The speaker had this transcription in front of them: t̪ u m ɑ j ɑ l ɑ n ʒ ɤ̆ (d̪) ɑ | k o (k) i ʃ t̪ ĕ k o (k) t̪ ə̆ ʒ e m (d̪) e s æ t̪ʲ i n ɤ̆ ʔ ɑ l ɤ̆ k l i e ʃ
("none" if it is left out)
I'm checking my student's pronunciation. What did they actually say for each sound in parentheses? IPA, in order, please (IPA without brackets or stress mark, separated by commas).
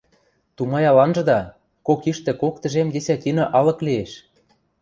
d̪, k, k, d̪